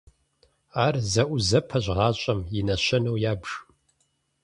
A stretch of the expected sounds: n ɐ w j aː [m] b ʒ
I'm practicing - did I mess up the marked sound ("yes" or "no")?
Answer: yes